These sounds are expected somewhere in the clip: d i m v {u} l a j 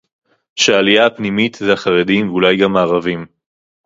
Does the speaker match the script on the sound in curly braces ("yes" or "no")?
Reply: yes